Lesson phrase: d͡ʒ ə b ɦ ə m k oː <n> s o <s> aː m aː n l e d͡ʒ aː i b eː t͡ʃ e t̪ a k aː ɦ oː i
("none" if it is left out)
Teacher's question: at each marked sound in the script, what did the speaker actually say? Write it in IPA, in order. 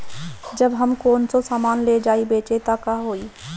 n, s

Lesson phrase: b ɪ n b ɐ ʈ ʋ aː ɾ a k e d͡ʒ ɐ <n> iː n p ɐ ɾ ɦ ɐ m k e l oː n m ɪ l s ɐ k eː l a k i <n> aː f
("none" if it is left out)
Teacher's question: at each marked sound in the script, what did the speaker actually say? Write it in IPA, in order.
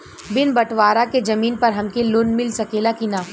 m, n

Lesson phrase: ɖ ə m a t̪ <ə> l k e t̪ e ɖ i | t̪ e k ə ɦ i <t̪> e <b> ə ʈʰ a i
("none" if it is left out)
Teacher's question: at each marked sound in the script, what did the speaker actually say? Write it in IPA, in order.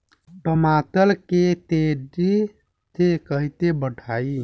ə, t̪, b

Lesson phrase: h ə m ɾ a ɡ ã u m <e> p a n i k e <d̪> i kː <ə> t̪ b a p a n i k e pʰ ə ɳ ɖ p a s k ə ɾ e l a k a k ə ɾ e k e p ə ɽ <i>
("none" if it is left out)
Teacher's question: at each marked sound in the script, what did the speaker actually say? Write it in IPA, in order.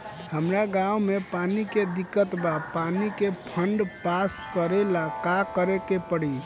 e, d̪, ə, i

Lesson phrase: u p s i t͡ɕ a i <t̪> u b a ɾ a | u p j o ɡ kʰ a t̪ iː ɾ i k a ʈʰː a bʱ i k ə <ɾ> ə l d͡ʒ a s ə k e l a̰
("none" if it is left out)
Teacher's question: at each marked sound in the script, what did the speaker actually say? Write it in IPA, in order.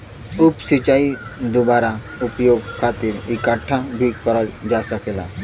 d̪, ɾ

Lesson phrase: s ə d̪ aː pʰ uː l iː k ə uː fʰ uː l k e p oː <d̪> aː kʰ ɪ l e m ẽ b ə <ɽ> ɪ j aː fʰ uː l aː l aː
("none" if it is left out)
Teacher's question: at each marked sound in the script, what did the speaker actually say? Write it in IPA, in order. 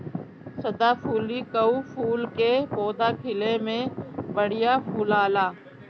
d̪, ɽ

